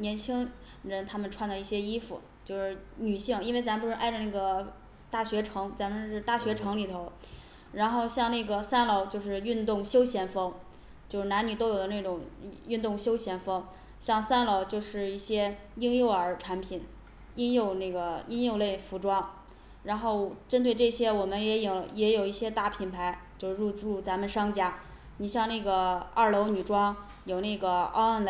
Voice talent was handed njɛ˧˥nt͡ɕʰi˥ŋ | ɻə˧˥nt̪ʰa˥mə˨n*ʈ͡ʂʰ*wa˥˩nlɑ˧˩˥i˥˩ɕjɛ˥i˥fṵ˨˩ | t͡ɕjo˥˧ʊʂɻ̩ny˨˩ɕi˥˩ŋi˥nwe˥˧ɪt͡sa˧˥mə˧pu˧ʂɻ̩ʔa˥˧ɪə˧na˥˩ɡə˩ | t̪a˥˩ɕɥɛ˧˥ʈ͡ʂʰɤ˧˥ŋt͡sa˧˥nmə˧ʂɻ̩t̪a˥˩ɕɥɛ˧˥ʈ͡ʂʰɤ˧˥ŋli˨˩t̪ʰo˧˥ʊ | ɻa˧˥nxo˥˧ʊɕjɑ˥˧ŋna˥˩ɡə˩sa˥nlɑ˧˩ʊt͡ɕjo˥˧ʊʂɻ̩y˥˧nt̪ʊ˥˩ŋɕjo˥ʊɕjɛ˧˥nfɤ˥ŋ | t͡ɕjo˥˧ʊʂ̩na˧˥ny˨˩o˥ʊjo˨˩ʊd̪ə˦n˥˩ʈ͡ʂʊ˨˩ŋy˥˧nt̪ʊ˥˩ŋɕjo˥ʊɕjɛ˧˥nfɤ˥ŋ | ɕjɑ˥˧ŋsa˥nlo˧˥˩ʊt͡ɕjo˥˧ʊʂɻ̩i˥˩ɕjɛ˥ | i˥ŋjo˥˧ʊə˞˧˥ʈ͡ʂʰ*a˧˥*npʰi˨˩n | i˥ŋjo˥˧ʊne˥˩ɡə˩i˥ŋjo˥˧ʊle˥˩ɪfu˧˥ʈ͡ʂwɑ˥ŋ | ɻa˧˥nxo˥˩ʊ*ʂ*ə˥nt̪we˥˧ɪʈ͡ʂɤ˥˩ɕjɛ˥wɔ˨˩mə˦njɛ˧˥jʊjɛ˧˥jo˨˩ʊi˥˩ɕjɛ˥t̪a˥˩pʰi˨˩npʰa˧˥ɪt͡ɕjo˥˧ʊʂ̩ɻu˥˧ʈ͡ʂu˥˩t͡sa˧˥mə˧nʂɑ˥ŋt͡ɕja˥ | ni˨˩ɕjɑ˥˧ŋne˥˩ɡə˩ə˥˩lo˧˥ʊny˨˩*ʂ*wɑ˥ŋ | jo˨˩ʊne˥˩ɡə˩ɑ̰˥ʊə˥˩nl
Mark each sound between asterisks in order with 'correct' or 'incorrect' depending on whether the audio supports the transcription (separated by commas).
correct, correct, incorrect, incorrect